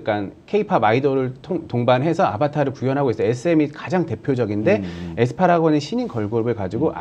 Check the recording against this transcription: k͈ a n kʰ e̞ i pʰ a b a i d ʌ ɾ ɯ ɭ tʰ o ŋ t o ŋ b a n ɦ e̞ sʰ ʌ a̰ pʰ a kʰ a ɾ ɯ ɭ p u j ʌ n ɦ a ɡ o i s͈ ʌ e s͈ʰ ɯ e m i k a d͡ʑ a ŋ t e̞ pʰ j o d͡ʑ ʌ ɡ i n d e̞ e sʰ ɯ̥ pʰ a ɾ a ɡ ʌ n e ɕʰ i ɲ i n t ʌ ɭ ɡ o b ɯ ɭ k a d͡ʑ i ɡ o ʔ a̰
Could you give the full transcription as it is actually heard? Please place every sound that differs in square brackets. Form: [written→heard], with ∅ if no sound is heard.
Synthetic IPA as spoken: k͈ a n kʰ e̞ i pʰ a b a i d ʌ ɾ ɯ ɭ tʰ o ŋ t o ŋ b a n ɦ e̞ sʰ ʌ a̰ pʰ a [kʰ→tʰ] a ɾ ɯ ɭ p u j ʌ n ɦ a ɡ o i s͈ ʌ e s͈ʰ ɯ e m i k a d͡ʑ a ŋ t e̞ pʰ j o d͡ʑ ʌ ɡ i n d e̞ e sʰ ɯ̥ pʰ a ɾ a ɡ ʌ n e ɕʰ i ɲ i n [t→k] ʌ ɭ ɡ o b ɯ ɭ k a d͡ʑ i ɡ o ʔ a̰